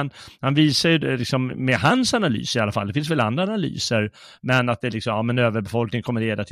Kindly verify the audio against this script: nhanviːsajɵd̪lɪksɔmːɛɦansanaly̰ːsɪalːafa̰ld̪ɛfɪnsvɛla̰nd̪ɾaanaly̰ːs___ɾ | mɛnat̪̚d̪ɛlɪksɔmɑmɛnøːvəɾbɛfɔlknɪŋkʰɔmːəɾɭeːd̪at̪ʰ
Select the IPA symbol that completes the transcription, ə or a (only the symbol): ə